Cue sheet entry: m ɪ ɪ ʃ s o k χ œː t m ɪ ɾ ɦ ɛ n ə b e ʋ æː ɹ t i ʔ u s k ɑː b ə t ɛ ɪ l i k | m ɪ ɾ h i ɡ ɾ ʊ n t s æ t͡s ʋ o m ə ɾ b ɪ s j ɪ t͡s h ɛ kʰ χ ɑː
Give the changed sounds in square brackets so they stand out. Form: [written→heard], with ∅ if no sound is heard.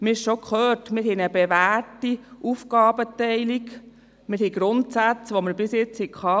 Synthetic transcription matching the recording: m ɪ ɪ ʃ [s→ʃ] o k χ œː t m ɪ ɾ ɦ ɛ n ə b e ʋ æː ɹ t i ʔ u [s→f] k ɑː b ə t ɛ ɪ l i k | m ɪ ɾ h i ɡ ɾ ʊ n t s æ t͡s ʋ o m ə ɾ b ɪ s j ɪ t͡s h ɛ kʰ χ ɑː